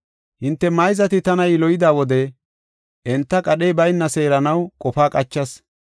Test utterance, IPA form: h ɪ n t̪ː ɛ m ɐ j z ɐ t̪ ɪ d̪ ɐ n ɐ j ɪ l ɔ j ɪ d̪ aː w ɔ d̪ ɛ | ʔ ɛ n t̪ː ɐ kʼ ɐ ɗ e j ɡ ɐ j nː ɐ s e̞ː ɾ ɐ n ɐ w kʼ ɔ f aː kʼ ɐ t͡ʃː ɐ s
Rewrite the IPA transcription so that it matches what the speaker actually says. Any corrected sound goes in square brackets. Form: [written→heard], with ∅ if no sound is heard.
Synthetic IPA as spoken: h ɪ n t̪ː ɛ m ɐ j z ɐ t̪ ɪ [d̪→t̪] ɐ n ɐ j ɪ l ɔ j ɪ d̪ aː w ɔ d̪ ɛ | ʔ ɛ n t̪ː ɐ kʼ ɐ ɗ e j [ɡ→b] ɐ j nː ɐ s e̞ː ɾ ɐ n ɐ w kʼ ɔ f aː kʼ ɐ t͡ʃː ɐ s